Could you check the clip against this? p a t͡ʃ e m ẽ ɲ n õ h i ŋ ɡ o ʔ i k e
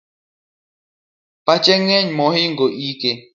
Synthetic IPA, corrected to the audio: p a t͡ʃ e ŋ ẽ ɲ m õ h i ŋ ɡ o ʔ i k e

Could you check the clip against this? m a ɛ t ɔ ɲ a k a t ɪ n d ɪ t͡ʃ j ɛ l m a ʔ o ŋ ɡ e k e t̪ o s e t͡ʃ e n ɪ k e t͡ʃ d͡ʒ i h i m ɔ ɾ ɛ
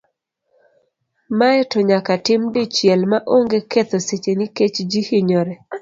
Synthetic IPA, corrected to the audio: m a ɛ t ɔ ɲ a k a t ɪ m d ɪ t͡ʃ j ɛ l m a ʔ o ŋ ɡ e k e t̪ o s e t͡ʃ e n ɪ k e t͡ʃ d͡ʒ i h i ɲ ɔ ɾ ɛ

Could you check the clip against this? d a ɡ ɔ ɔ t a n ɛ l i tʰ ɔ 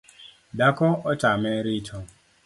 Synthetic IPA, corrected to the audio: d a k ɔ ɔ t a m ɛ ɾ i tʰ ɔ

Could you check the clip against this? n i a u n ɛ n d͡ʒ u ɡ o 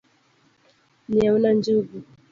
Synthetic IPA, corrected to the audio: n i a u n a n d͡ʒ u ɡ u

